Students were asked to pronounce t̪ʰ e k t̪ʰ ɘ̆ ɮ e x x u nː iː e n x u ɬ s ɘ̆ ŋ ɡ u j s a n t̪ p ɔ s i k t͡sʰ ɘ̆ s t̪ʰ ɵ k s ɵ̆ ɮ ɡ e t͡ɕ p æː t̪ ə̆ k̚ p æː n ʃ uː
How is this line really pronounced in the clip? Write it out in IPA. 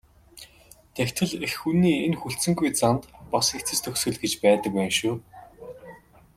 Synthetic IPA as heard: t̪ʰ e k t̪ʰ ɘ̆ ɮ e x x u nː iː e n x u ɬ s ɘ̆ ŋ ɡ u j t͡s a n t̪ p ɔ s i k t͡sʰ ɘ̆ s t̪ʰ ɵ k s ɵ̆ ɮ ɡ e t͡ɕ p æː t̪ ə̆ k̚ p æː n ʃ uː